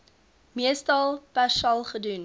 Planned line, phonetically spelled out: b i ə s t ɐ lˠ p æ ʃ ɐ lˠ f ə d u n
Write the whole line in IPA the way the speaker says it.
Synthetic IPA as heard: m i ə s t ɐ lˠ p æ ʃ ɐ lˠ χ ə d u n